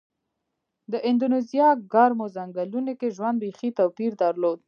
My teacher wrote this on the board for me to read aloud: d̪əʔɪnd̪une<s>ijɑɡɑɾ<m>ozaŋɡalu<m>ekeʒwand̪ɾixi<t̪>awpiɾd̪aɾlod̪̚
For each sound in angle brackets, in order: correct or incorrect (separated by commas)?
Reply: incorrect, correct, incorrect, correct